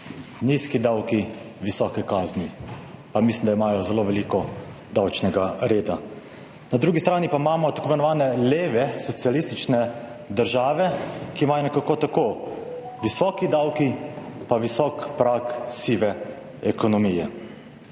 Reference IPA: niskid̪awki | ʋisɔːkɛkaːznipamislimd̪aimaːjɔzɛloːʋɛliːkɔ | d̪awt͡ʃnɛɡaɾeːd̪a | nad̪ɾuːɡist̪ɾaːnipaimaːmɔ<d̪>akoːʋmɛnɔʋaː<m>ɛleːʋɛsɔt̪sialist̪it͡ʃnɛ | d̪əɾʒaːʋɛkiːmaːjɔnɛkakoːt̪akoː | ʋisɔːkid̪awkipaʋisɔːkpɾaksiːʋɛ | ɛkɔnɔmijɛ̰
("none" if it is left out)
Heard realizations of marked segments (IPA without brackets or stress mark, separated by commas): t̪, n